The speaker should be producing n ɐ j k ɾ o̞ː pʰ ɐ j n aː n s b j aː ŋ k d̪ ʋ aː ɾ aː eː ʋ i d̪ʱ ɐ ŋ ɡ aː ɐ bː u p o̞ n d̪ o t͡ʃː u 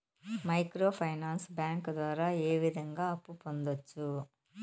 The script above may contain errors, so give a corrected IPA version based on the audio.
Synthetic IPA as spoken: m ɐ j k ɾ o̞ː pʰ ɐ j n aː n s b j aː ŋ k d̪ ʋ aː ɾ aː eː ʋ i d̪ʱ ɐ ŋ ɡ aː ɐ pː u p o̞ n d̪ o t͡ʃː u

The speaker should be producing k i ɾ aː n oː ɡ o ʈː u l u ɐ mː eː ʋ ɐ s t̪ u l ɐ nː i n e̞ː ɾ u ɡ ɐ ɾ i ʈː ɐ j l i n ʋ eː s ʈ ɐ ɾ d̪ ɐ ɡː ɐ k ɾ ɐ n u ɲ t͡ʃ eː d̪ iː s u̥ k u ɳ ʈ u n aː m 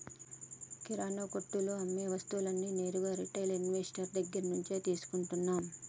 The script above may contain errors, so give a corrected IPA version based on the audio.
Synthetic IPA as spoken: k i ɾ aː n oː k o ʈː u l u ɐ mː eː ʋ ɐ s t̪ u l ɐ nː i n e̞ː ɾ u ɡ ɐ ɾ i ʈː ɐ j l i n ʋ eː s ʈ ɐ ɾ d̪ ɐ ɡː ɐ ɾ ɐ n u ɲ t͡ʃ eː t̪ iː s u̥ k u ɳ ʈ u nː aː m

